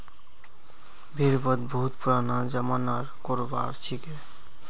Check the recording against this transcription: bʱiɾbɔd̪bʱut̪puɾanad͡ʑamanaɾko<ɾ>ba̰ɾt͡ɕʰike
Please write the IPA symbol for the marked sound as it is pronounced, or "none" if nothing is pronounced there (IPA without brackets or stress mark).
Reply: ɾ